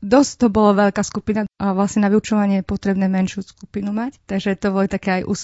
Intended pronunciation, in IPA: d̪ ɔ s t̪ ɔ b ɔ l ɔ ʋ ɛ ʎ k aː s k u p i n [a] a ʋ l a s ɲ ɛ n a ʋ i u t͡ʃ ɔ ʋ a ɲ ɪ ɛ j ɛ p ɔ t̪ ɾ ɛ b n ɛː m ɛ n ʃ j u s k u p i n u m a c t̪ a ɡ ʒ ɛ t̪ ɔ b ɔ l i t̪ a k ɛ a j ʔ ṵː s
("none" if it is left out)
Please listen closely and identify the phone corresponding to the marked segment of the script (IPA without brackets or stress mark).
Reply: a